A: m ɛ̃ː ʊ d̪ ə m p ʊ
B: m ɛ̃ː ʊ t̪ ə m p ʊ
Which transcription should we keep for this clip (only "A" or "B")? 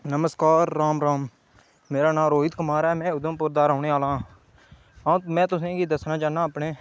A